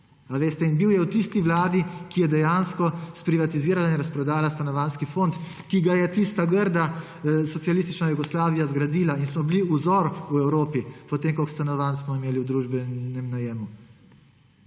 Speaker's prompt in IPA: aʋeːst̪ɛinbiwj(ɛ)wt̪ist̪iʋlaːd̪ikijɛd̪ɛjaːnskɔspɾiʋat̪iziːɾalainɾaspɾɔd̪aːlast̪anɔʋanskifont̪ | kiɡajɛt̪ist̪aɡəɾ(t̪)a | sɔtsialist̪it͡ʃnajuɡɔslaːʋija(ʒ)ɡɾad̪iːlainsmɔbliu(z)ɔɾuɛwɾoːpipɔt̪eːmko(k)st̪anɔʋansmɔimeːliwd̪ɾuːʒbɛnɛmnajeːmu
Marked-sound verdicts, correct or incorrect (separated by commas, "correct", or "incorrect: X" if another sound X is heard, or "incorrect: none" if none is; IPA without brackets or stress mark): correct, incorrect: d̪, incorrect: z, correct, correct